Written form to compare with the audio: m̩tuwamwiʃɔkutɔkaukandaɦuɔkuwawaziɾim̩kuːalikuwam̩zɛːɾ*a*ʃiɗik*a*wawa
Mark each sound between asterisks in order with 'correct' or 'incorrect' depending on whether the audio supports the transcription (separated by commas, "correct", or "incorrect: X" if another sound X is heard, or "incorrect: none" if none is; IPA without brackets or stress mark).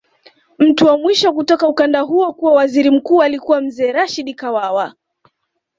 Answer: correct, correct